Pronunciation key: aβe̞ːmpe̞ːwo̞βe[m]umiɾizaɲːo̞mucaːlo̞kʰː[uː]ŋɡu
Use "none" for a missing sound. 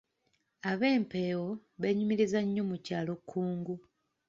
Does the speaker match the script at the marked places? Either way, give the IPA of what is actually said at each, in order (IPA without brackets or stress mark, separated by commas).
ɲ, uː